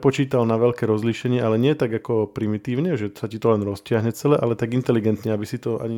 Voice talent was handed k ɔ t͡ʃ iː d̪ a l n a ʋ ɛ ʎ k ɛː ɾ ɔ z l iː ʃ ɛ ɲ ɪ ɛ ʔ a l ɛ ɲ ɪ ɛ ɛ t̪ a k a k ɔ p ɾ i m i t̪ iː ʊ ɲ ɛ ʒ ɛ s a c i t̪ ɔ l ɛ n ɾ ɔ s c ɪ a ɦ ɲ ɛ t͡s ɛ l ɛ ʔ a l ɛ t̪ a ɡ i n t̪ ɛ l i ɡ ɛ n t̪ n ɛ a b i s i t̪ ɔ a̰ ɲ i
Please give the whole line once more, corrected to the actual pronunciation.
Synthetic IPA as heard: p ɔ t͡ʃ iː t̪ a l n a ʋ ɛ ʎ k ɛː ɾ ɔ z l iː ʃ ɛ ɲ ɪ ɛ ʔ a l ɛ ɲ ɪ ɛ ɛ t̪ a ɡ a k ɔ p ɾ i m i t̪ iː ʊ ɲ ɛ ʒ ɛ s a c i t̪ ɔ l ɛ n ɾ ɔ s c ɪ a ɦ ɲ ɛ t͡s ɛ l ɛ ʔ a l ɛ t̪ a ɡ i n t̪ ɛ l i ɡ ɛ n t̪ ɲ ɛ a b i s i t̪ ɔ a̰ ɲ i